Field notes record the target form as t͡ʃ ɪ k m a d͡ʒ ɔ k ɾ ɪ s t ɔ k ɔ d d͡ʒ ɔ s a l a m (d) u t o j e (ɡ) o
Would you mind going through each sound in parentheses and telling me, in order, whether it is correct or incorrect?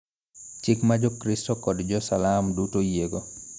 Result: correct, correct

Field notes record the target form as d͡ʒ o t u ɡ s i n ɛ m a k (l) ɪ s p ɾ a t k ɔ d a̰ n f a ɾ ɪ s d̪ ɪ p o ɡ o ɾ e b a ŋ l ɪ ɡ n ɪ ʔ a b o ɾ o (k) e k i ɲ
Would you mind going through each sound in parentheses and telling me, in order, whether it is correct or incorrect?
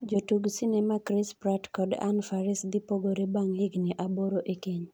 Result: incorrect: ɾ, incorrect: ʔ

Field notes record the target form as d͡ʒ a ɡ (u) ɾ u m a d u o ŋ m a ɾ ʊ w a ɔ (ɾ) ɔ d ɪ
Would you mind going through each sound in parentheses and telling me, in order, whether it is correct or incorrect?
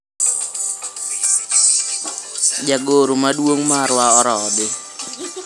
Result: incorrect: o, correct

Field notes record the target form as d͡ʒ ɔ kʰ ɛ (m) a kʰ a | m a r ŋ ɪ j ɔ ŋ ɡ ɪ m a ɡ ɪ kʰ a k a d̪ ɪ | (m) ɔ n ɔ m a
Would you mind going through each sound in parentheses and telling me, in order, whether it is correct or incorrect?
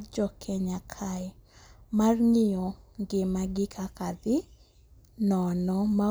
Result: incorrect: ɲ, incorrect: n

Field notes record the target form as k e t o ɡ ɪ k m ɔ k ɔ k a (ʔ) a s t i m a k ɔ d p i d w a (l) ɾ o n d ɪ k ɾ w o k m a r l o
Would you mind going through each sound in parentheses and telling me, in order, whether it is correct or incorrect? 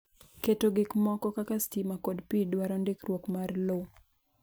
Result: incorrect: k, incorrect: none

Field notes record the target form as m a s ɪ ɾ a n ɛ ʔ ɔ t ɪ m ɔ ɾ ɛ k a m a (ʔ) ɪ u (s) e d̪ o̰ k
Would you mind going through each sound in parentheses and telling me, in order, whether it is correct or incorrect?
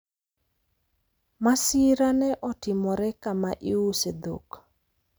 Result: correct, correct

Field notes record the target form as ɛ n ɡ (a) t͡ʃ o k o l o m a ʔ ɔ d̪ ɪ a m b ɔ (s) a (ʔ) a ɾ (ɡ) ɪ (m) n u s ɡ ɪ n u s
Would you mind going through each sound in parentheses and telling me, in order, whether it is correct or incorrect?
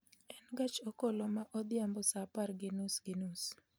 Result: correct, correct, incorrect: p, correct, incorrect: none

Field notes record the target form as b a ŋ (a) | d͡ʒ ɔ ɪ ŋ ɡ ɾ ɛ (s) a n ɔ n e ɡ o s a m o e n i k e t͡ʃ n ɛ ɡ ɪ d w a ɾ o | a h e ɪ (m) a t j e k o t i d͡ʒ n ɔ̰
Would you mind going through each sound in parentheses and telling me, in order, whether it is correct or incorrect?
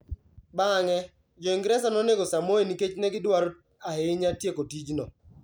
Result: incorrect: ɛ, correct, incorrect: ɲ

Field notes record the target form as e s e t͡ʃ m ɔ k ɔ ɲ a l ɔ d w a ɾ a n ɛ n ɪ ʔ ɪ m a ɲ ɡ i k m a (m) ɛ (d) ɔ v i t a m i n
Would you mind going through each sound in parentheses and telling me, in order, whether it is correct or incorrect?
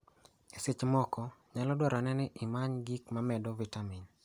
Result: correct, correct

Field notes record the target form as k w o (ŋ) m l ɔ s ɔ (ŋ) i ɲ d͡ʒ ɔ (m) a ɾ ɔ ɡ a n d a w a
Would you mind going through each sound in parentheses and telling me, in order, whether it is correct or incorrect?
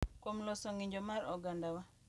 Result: incorrect: none, correct, correct

